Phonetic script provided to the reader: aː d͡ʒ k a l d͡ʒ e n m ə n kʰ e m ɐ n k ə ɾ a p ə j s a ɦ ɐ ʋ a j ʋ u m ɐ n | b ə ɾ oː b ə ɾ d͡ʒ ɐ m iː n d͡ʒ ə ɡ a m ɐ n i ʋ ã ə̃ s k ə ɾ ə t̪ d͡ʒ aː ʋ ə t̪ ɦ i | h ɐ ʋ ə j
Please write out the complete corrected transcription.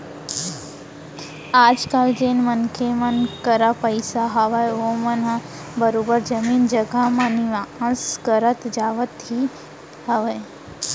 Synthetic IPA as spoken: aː d͡ʒ k a l d͡ʒ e n m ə n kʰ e m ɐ n k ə ɾ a p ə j s a ɦ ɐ ʋ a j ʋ o m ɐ n | b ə ɾ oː b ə ɾ d͡ʒ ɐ m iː n d͡ʒ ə ɡ a m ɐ n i ʋ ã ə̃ s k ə ɾ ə t̪ d͡ʒ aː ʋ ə t̪ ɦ i | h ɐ ʋ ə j

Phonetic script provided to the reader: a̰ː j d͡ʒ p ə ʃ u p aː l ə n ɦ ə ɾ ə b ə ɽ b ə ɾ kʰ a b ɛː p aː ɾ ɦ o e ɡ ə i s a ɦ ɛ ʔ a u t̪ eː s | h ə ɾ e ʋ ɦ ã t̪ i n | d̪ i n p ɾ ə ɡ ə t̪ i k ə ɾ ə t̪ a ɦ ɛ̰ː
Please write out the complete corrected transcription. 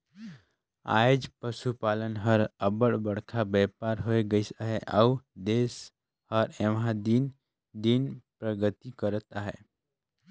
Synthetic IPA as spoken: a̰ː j d͡ʒ p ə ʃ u p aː l ə n ɦ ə ɾ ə b ə ɽ b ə ɽ kʰ a b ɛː p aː ɾ ɦ o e ɡ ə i s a ɦ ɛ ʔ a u d̪ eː s | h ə ɾ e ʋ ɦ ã d̪ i n | d̪ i n p ɾ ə ɡ ə t̪ i k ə ɾ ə t̪ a ɦ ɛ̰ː

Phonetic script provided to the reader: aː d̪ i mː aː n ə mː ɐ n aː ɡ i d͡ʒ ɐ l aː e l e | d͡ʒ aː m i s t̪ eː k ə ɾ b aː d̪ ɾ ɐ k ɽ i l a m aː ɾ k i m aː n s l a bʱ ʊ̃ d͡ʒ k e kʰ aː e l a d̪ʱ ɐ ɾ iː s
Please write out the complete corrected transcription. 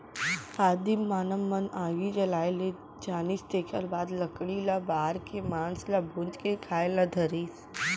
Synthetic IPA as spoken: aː d̪ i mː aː n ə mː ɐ n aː ɡ i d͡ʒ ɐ l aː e l e | d͡ʒ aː n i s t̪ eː k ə ɾ b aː d̪ l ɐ k ɽ i l a b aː ɾ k e m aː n s l a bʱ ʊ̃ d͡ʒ k e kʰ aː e l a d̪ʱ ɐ ɾ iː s

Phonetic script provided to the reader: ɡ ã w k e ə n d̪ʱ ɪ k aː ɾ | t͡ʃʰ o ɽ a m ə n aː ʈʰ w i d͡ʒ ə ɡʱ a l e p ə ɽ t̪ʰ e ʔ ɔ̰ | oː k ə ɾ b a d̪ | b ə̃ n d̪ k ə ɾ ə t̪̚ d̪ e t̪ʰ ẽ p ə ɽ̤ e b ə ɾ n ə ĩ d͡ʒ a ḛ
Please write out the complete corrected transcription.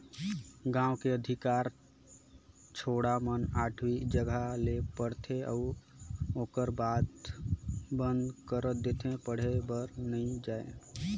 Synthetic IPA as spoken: ɡ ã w k e ə d̪ʱ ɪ k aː ɾ | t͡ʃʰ o ɽ a m ə n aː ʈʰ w i d͡ʒ ə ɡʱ a l e p ə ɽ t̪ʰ e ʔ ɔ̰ | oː k ə ɾ b a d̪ | b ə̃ n d̪ k ə ɾ ə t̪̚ d̪ e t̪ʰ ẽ p ə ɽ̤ e b ə ɾ n ə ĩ d͡ʒ a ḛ

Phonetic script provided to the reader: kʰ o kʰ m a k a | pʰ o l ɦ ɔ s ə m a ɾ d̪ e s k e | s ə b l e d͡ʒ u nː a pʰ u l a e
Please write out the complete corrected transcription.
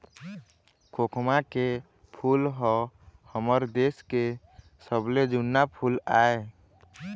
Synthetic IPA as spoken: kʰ o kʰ m a k e | pʰ u l ɦ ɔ h ə m ə ɾ d̪ e s k e | s ə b l e d͡ʒ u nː a pʰ u l a e

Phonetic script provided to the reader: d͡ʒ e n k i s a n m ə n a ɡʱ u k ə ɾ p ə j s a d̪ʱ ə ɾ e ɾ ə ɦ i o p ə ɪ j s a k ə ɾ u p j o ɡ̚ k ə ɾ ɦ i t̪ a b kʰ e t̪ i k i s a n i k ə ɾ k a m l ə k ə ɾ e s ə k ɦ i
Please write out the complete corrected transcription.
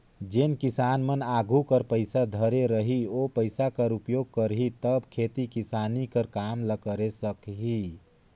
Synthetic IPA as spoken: d͡ʒ e n k i s a n m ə n a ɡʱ u k ə ɾ p ə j s a d̪ʱ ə ɾ e ɾ ə ɦ i o p ə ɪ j s a k ə ɾ u p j o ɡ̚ k ə ɾ ɦ i t̪ ə b kʰ e t̪ i k i s a n i k ə ɾ k a m l ə k ə ɾ e s ə k ɦ i

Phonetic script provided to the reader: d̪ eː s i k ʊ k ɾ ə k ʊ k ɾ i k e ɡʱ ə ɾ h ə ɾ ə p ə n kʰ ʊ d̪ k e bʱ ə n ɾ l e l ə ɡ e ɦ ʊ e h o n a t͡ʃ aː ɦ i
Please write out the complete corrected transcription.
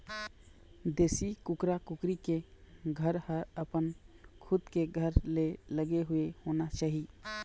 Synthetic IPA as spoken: d̪ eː s i k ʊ k ɾ a k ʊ k ɾ i k e ɡʱ ə ɾ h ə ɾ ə p ə n kʰ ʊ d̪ k e ɡʱ ə ɾ l e l ə ɡ e ɦ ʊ e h o n a t͡ʃ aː ɦ i

